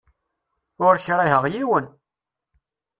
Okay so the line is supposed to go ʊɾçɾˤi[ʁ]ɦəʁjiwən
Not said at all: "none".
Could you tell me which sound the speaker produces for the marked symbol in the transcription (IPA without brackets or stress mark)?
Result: none